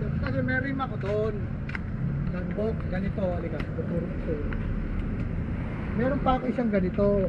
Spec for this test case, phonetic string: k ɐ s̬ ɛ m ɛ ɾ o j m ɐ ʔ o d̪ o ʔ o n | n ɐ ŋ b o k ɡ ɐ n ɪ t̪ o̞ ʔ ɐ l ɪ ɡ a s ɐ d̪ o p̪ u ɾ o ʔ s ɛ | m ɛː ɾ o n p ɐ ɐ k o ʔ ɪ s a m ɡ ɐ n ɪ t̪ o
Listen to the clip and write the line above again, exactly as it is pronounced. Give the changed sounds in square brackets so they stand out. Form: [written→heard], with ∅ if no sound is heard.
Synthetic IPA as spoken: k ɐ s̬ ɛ m ɛ ɾ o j m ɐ [ʔ→k] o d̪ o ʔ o n | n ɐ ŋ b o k ɡ ɐ n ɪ t̪ o̞ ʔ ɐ l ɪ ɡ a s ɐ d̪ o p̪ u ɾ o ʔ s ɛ | m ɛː ɾ o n p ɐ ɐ k o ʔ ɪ s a [m→ŋ] ɡ ɐ n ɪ t̪ o

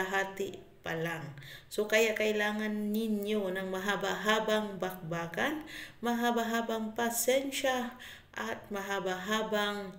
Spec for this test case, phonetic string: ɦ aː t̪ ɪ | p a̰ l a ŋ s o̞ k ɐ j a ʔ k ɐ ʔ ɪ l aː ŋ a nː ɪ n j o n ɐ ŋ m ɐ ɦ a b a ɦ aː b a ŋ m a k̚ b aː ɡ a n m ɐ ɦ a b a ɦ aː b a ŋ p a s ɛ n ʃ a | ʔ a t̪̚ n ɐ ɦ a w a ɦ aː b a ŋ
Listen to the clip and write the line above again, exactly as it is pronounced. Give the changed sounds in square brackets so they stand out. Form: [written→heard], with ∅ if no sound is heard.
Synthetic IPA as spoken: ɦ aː t̪ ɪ | p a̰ l a ŋ s o̞ k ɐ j a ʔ k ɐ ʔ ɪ l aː ŋ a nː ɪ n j o n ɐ ŋ m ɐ ɦ a b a ɦ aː b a ŋ [m→b] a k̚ b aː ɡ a n m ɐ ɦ a b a ɦ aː b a ŋ p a s ɛ n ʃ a | ʔ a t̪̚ [n→m] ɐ ɦ a [w→b] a ɦ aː b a ŋ

